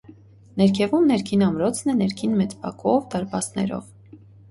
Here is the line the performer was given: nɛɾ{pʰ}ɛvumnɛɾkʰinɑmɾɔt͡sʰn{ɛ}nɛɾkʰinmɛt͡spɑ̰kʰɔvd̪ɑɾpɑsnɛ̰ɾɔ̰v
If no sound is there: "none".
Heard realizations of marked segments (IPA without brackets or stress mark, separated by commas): kʰ, ɛ